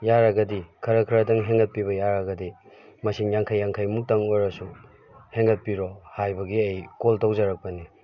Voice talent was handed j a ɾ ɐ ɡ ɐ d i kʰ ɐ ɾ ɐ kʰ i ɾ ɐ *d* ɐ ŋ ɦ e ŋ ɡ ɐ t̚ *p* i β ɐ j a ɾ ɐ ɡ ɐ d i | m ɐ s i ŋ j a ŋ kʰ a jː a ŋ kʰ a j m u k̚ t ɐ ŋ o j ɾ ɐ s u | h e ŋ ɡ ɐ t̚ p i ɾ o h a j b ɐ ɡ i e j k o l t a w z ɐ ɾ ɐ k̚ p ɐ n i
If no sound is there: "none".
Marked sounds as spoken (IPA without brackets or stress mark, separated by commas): d, p